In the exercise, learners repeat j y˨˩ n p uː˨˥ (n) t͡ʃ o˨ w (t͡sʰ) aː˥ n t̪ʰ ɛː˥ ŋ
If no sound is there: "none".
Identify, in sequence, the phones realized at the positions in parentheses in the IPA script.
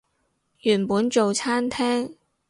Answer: n, t͡sʰ

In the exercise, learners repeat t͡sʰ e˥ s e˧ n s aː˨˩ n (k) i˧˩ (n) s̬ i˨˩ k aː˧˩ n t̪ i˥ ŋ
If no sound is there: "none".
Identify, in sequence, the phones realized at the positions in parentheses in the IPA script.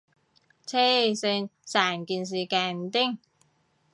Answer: k, n

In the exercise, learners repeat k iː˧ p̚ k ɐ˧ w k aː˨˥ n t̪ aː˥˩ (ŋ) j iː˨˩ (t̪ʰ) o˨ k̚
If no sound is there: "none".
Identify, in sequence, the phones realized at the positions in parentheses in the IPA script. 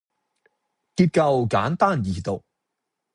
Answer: n, t̪

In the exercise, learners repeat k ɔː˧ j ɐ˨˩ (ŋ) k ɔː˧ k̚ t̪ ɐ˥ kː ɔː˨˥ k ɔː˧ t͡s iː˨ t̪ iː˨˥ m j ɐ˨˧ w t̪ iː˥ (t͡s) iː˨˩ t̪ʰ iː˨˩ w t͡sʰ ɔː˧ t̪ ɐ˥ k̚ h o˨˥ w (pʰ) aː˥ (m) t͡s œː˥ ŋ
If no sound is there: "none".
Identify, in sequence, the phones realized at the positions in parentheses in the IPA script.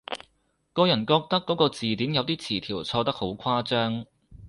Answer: n, t͡sʰ, kʰ, none

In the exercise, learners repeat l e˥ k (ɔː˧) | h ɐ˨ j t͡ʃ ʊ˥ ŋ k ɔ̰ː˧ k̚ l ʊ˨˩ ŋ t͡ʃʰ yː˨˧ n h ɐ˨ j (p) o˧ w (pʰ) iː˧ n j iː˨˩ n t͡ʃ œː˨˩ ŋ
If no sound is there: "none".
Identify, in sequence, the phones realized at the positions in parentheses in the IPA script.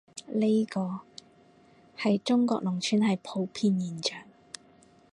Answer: ɔː˧, pʰ, pʰ

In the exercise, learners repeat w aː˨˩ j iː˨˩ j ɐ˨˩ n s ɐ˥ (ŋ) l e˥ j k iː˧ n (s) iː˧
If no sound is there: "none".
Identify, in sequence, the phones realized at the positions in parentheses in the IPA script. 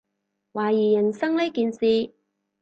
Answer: ŋ, s

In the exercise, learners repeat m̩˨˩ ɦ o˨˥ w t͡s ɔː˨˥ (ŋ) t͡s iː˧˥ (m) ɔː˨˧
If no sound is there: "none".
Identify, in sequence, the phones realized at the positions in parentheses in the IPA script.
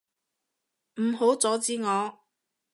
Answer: none, ŋ

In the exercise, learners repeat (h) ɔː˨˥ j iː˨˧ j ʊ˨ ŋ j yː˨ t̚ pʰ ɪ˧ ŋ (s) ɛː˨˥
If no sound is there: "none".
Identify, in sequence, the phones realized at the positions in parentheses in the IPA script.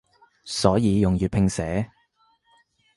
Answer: s, s

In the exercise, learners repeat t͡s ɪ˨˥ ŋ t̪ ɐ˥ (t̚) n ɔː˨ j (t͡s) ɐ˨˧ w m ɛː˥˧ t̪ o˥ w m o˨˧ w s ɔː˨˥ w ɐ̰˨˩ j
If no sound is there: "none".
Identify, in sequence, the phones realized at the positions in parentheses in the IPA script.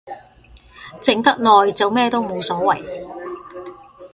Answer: k̚, t͡s

